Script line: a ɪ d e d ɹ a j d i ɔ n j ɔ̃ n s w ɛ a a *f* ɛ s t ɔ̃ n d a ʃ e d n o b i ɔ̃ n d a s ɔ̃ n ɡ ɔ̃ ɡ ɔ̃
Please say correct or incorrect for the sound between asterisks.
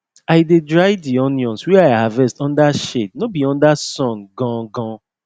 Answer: incorrect